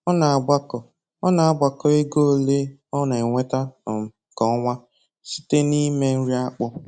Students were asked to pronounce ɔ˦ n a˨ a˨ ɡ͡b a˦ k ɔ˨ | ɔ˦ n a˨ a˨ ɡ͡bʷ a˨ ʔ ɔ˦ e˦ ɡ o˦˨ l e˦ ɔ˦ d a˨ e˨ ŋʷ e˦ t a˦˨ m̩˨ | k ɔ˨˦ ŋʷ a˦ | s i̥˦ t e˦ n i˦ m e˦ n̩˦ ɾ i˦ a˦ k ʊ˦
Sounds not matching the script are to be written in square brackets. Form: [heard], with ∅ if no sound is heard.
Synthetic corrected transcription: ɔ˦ n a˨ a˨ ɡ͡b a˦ k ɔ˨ | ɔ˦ n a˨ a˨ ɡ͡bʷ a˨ [k] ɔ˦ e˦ ɡ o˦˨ l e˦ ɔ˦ [n] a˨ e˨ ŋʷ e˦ t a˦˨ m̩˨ | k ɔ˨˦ ŋʷ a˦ | s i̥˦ t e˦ n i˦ m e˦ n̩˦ ɾ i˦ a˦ [k͡p] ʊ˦